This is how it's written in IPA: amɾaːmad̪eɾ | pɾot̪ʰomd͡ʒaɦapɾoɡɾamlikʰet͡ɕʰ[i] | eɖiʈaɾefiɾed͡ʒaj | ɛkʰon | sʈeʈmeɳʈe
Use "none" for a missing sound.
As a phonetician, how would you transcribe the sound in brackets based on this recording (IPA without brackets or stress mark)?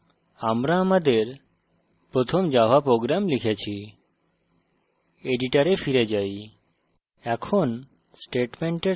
i